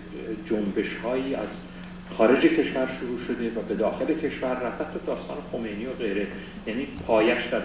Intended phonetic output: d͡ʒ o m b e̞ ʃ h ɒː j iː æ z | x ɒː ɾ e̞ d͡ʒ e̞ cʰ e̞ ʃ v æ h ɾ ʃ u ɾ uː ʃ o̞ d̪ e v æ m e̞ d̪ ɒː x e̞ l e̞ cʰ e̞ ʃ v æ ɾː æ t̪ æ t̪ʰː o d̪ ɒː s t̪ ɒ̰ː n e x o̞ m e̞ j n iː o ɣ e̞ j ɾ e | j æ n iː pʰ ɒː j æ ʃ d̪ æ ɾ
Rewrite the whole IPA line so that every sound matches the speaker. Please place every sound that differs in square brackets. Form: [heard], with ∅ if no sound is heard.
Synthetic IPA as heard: d͡ʒ o m b e̞ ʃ h ɒː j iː æ z | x ɒː ɾ e̞ d͡ʒ e̞ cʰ e̞ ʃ v æ [∅] ɾ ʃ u ɾ uː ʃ o̞ d̪ e v æ [b] e̞ d̪ ɒː x e̞ l e̞ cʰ e̞ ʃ v æ ɾː æ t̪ æ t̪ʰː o d̪ ɒː s t̪ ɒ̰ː n e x o̞ m e̞ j n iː o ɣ e̞ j ɾ e | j æ n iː pʰ ɒː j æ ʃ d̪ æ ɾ